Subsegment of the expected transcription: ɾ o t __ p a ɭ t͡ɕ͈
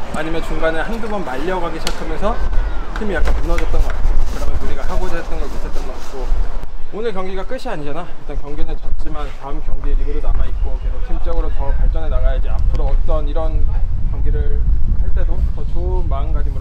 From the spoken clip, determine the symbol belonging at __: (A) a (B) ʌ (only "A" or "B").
B